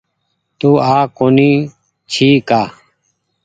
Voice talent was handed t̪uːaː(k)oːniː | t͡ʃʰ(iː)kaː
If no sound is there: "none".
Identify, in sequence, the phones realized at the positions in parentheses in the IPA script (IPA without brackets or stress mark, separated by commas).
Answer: k, iː